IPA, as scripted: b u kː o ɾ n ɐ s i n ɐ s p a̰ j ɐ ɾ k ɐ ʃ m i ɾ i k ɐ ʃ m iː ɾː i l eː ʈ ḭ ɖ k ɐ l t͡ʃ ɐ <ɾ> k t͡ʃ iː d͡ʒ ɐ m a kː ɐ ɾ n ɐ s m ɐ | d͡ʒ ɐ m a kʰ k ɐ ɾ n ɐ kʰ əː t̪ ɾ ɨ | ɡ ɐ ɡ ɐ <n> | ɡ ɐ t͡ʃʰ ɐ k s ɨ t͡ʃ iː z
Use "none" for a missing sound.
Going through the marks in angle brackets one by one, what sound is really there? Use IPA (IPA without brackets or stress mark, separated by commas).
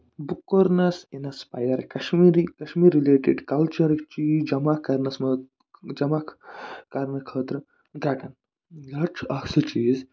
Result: ɾ, n